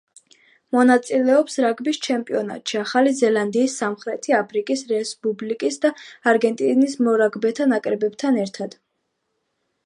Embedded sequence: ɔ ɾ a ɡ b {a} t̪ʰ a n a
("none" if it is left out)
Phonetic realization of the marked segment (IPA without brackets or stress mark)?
ɛ